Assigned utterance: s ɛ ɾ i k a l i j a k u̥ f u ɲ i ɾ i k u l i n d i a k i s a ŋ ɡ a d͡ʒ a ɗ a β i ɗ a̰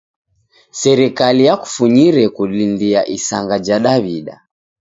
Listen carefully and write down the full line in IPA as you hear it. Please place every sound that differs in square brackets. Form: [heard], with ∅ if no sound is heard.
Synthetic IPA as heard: s ɛ ɾ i k a l i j a k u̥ f u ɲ i ɾ [ɛ] k u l i n d i a [ʔ] i s a ŋ ɡ a d͡ʒ a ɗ a β i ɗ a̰